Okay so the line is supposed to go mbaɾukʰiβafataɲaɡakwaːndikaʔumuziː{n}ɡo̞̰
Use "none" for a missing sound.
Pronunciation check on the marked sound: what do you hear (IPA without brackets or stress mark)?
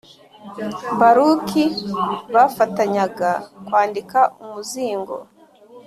ŋ